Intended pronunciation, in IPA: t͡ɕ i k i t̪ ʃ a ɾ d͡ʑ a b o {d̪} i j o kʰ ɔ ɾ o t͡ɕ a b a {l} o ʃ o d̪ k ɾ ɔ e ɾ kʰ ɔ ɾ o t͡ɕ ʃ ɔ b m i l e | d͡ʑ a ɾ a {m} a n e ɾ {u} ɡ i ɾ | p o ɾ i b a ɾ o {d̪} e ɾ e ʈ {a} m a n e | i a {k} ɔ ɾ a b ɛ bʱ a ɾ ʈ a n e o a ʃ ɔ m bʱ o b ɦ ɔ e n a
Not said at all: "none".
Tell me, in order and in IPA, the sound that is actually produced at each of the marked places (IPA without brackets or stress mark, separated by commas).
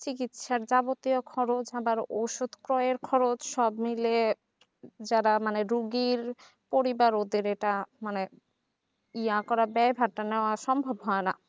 t̪, ɾ, m, u, d̪, a, k